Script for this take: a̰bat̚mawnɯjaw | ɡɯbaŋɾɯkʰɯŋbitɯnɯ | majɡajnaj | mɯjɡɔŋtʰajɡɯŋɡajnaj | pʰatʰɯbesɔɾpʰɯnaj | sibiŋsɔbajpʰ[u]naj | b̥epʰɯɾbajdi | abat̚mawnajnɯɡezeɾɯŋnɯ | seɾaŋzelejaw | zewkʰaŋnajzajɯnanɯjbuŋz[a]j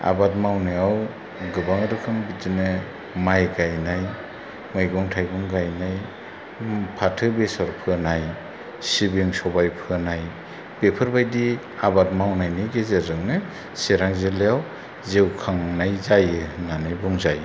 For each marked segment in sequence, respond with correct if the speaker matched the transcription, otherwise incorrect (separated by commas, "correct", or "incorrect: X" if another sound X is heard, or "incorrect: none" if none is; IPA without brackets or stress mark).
incorrect: ɯ, correct